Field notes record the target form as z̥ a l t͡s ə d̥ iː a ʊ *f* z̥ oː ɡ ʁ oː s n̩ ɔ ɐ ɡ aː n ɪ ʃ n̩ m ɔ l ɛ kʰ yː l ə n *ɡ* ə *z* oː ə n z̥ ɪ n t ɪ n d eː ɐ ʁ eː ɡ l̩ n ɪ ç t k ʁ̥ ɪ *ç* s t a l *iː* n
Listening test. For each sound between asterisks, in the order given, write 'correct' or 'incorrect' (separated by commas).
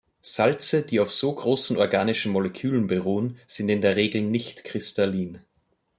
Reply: correct, incorrect, incorrect, incorrect, correct